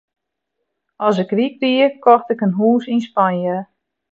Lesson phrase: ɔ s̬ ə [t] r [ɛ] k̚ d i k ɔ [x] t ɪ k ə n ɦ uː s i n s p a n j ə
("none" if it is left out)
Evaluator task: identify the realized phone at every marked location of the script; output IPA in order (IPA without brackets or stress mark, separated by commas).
k, i, x